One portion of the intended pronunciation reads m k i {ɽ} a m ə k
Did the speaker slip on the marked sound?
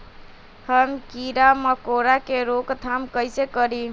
yes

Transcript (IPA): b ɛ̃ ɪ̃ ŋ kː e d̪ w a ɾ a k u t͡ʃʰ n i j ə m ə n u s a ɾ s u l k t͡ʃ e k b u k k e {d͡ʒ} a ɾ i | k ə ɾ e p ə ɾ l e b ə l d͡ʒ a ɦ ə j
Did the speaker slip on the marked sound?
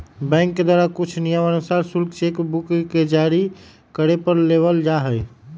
no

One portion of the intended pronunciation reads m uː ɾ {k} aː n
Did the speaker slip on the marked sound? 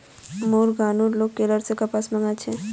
yes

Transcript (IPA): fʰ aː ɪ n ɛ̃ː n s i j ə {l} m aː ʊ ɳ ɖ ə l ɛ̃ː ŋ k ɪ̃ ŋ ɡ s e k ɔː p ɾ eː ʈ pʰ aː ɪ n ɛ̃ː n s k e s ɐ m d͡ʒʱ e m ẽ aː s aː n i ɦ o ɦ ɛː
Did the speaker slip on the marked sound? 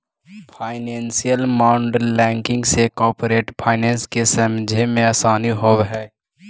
no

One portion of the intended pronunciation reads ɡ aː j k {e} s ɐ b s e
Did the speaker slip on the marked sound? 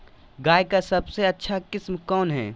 yes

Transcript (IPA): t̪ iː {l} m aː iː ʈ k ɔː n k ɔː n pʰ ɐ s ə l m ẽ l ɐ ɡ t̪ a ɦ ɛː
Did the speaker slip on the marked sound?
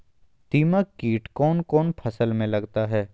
yes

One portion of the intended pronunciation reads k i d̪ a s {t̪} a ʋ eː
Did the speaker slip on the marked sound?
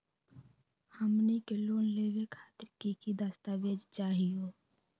no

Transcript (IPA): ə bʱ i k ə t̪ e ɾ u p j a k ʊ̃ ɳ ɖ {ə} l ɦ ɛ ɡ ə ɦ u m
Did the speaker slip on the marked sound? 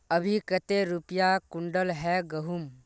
no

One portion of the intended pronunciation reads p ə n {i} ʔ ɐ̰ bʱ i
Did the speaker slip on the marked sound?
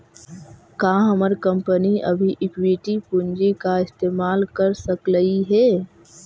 no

